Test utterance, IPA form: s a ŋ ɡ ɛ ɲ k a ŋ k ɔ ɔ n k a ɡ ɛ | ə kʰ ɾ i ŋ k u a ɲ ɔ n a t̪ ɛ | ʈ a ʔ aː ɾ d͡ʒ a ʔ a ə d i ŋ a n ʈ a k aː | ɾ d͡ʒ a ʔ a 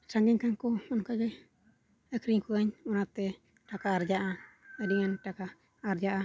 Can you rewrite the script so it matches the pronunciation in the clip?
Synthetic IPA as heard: s a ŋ ɡ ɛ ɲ k a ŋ k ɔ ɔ n k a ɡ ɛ | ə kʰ ɾ i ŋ k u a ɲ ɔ n a t̪ ɛ | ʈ a k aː ɾ d͡ʒ a ʔ a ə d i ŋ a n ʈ a k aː | ɾ d͡ʒ a ʔ a